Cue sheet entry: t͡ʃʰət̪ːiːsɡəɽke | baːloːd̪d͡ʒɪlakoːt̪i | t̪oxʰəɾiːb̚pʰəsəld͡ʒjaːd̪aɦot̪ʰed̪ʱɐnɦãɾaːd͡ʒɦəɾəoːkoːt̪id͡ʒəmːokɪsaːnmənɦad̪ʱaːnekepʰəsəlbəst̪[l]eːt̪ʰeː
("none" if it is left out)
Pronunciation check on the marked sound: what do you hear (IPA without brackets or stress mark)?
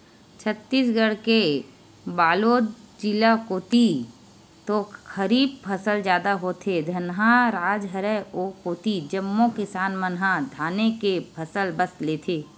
l